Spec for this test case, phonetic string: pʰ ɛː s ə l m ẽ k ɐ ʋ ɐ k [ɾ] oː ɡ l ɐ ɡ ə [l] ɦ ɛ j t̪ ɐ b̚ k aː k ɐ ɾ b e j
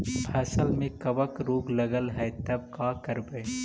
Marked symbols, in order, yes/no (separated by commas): yes, yes